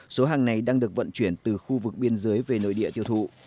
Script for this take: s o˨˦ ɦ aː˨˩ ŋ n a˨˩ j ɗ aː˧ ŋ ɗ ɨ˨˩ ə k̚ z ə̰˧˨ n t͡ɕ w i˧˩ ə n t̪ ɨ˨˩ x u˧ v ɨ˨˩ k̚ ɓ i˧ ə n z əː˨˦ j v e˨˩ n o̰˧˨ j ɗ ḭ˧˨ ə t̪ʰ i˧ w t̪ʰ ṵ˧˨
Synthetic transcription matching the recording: s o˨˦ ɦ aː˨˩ ŋ n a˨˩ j ɗ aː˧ ŋ ɗ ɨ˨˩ ə k̚ v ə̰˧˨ n t͡ɕ w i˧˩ ə n t̪ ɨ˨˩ x u˧ v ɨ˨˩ k̚ ɓ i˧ ə n z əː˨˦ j v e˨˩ n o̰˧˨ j ɗ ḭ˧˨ ə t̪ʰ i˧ w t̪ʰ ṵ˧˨